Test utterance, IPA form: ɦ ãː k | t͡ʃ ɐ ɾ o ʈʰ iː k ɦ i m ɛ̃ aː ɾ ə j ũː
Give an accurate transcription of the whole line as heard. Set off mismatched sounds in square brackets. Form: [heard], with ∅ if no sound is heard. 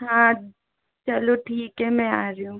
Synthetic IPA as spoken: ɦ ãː [∅] | t͡ʃ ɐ [l] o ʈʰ iː k ɦ [ɛ] m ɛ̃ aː ɾ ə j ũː